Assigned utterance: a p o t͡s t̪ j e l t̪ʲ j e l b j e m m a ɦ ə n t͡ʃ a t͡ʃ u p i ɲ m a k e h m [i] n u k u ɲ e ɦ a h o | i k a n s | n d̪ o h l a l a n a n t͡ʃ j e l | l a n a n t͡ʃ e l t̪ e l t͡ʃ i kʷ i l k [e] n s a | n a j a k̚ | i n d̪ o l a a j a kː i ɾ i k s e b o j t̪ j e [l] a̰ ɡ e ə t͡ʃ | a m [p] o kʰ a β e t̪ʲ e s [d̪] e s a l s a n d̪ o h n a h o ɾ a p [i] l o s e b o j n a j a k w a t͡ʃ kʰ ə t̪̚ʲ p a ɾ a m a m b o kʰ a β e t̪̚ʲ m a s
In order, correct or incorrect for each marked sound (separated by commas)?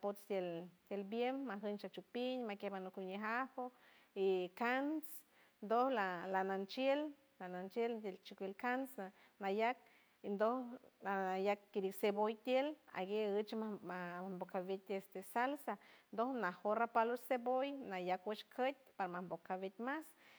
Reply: incorrect, incorrect, correct, incorrect, incorrect, incorrect